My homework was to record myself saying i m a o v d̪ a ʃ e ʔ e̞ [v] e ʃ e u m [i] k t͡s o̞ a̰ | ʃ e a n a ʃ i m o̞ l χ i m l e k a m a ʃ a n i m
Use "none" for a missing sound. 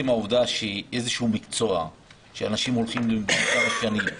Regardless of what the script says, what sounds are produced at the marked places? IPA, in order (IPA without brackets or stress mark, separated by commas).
z, i